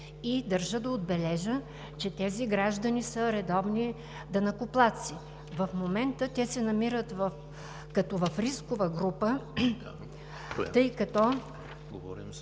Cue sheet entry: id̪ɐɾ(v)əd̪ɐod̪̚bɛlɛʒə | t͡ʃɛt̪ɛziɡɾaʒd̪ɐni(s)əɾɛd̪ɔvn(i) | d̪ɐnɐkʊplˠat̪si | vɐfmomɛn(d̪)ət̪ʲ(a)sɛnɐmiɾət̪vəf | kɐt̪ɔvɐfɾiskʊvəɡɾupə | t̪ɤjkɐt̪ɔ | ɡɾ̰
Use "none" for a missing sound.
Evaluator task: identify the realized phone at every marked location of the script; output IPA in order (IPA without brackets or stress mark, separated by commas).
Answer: ʒ, s, i, t̪, ɛ